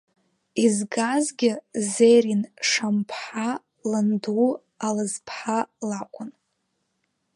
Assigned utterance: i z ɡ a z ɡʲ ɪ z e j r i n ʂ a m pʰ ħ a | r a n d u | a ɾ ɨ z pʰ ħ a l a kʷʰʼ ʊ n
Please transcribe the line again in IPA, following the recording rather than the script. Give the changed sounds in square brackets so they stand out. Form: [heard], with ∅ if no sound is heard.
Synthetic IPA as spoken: i z ɡ a z ɡʲ ɪ z e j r i n ʂ a m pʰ ħ a | [l] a n d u | a [l] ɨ z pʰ ħ a l a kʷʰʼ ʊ n